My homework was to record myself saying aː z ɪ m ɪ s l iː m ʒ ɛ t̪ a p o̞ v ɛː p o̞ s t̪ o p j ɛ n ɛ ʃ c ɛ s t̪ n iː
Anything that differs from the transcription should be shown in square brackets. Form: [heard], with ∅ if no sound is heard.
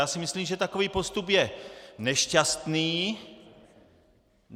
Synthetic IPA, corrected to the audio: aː [s] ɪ m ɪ s l iː m ʒ ɛ t̪ a [k] o̞ v [iː] p o̞ s t̪ [u] p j ɛ n ɛ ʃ c [a] s t̪ n iː